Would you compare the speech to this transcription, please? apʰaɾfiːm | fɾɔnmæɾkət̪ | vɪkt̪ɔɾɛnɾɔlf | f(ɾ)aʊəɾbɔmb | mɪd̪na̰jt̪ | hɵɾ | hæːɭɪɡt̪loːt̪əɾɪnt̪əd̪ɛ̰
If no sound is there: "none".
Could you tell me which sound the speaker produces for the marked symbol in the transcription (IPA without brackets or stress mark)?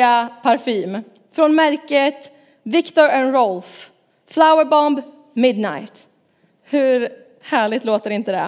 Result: l